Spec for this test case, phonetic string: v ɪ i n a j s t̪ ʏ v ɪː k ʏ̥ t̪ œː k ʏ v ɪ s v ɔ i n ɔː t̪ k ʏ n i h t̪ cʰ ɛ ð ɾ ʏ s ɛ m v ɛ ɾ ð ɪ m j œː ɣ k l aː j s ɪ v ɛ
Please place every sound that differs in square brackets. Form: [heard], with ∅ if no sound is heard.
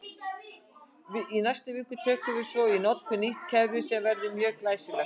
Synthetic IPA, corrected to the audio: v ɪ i n a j s t̪ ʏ v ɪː k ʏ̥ [t̪ʰ] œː k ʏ v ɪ s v ɔ i n [ɔ] t̪ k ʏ n i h t̪ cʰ ɛ ð ɾ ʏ s ɛ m v ɛ ɾ ð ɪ m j œː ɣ k l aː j s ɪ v ɛ